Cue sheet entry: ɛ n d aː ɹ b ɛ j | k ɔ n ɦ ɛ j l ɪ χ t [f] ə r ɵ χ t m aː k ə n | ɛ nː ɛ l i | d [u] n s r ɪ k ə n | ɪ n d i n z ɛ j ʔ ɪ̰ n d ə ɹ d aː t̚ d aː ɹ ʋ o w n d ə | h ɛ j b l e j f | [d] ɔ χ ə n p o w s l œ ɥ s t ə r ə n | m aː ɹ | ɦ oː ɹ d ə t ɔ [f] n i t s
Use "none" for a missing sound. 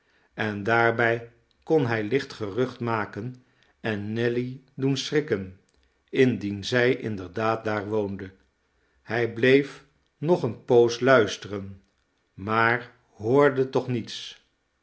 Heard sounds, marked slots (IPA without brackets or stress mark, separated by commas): χ, u, n, χ